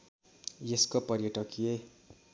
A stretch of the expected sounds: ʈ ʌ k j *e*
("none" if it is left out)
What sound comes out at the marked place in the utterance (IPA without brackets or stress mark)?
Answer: e